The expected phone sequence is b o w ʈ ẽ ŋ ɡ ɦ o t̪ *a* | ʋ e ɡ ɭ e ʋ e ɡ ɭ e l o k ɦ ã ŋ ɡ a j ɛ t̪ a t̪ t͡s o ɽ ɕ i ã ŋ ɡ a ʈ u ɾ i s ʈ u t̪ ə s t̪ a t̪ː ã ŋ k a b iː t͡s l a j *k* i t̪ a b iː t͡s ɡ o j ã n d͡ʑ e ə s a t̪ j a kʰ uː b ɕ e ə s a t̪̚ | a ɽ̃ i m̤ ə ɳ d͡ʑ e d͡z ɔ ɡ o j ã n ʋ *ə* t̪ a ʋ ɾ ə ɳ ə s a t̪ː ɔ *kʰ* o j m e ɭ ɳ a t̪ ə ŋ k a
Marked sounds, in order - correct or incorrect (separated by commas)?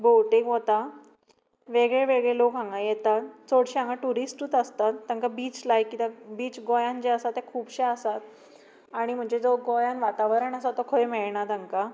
correct, correct, incorrect, correct